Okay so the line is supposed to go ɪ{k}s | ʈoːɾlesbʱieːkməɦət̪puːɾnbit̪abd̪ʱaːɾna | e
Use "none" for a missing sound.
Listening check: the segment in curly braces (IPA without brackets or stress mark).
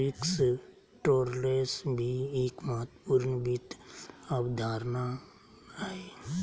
k